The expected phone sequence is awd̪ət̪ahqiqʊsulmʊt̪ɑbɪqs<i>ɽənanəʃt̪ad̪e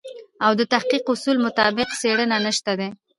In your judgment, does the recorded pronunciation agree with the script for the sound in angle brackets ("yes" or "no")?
no